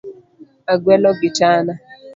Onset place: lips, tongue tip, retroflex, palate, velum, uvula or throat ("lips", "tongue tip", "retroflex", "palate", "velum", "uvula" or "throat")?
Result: velum